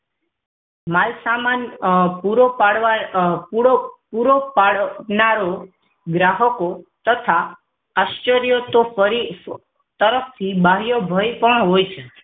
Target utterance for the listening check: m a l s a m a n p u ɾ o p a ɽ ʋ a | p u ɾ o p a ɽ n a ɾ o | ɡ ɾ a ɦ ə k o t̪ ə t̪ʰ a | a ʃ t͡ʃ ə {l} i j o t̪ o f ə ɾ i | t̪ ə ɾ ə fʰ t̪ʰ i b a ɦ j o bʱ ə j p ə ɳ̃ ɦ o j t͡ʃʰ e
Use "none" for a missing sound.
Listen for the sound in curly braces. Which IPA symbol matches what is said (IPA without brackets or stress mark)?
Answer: ɾ